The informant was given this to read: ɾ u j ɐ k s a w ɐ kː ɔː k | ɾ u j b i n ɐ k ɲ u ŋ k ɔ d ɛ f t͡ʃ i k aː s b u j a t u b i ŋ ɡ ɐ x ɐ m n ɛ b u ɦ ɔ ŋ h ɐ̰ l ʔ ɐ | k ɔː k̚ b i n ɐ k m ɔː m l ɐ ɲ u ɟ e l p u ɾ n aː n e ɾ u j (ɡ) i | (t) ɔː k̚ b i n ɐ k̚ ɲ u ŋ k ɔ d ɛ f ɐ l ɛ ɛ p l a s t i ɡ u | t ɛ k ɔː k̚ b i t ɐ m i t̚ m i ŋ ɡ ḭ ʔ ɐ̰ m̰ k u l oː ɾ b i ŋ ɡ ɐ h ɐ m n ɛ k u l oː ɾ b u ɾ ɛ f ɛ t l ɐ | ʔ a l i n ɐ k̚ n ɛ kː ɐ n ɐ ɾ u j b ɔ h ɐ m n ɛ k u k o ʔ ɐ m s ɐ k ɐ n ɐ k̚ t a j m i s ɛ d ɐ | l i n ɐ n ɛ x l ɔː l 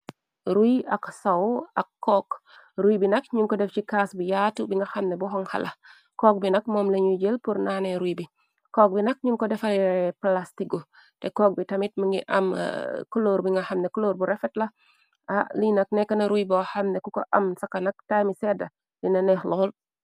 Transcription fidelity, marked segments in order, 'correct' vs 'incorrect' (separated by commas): incorrect, incorrect